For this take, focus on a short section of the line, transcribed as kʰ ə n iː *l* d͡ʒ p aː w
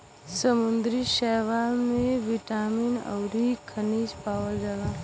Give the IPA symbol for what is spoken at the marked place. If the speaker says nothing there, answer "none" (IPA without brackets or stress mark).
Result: none